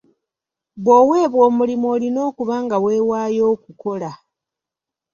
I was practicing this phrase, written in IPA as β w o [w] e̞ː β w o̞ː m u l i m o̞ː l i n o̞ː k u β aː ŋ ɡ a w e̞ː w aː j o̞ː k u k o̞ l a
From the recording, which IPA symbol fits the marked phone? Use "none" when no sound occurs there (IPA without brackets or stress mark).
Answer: w